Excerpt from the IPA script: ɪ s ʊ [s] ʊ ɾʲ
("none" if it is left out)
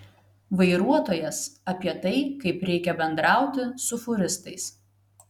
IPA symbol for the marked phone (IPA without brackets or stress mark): f